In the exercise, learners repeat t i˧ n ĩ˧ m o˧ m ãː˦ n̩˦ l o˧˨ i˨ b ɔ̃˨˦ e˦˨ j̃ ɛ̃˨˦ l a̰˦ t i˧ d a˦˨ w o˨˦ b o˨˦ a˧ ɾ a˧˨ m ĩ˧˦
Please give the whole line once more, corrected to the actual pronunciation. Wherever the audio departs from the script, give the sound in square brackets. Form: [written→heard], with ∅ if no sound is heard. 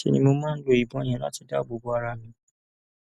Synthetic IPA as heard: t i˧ n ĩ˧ m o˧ m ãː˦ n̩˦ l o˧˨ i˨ b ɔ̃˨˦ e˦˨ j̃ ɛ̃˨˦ l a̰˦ t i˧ d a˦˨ [w→b] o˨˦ b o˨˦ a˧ ɾ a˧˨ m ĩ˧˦